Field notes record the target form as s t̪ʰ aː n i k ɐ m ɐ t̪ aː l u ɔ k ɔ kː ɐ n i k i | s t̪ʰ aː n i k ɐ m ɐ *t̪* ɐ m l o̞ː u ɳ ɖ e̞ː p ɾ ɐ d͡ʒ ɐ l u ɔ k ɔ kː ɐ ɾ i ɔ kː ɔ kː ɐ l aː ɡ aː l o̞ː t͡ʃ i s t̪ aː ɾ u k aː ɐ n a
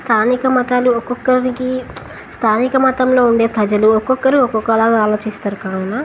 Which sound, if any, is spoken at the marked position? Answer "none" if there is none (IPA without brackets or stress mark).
t̪